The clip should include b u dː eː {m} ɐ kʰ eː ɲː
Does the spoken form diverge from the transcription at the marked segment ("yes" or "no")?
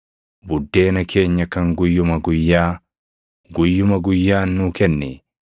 yes